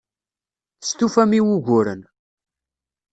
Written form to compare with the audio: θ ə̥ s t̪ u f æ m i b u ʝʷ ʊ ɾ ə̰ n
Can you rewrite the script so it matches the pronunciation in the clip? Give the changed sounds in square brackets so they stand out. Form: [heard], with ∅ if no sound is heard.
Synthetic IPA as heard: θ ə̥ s t̪ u f æ m i [w] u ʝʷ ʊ ɾ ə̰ n

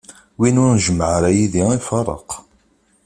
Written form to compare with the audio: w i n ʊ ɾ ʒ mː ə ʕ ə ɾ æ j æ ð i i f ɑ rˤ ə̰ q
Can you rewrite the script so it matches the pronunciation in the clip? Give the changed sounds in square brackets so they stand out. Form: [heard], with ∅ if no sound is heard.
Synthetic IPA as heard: w i n ʊ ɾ ʒ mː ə ʕ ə ɾ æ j [i] ð i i f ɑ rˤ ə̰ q

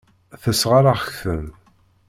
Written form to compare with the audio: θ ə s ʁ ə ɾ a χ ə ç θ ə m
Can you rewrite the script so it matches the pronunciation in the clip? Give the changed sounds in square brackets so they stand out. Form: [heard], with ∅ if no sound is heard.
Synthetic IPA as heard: θ ə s ʁ [a] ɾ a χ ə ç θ ə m

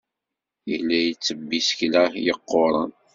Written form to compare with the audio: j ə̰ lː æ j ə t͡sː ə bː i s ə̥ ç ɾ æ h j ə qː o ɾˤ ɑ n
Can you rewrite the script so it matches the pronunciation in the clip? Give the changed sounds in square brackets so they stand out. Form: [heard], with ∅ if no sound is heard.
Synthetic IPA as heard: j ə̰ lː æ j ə t͡sː ə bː i s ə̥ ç [l] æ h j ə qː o ɾˤ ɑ n

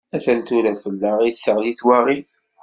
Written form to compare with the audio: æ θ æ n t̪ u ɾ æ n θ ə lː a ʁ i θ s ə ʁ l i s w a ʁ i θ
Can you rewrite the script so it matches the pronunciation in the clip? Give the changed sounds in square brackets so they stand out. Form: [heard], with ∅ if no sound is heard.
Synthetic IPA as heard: æ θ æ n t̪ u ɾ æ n [f] ə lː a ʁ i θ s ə ʁ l i [θ] w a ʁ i θ

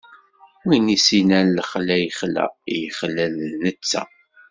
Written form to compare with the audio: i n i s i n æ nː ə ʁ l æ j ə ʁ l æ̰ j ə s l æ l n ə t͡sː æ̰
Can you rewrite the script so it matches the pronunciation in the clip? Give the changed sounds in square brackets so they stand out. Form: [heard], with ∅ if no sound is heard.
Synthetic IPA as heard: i n i s i n æ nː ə [χ] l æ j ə [χ] l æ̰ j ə [χ] l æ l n ə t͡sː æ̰

